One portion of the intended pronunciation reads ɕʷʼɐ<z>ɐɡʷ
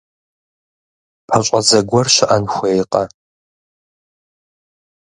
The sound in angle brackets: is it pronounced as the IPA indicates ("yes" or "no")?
yes